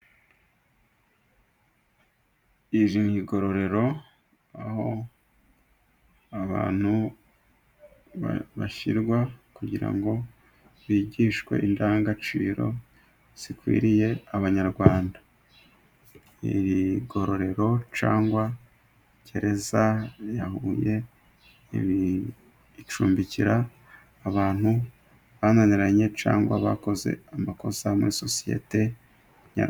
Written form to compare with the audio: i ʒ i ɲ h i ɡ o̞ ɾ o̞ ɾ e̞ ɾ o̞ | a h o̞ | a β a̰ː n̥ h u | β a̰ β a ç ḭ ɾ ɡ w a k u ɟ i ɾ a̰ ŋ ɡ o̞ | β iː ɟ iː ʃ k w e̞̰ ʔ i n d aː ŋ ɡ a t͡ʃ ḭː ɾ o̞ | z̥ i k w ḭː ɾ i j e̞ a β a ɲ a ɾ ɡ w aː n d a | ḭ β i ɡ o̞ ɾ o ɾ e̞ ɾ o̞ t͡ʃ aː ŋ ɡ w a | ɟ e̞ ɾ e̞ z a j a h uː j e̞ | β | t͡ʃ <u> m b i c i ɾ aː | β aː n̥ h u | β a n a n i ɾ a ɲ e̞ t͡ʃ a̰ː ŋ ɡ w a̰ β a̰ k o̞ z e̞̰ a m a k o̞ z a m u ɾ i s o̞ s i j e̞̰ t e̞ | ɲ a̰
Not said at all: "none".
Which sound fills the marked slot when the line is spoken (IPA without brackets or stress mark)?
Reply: uː